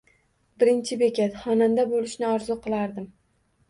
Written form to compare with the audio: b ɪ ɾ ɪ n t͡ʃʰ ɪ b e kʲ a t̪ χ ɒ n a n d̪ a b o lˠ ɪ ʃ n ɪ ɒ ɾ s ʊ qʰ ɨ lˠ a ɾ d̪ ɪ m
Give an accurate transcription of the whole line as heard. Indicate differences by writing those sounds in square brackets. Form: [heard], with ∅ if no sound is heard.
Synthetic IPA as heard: b ɪ ɾ ɪ n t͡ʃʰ ɪ b e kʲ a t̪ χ ɒ n a n d̪ a b o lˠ ɪ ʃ n ɪ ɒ ɾ [z] ʊ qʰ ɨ lˠ a ɾ d̪ ɪ m